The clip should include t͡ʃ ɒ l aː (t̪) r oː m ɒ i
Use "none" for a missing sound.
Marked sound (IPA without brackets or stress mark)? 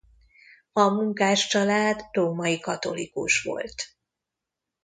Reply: d̪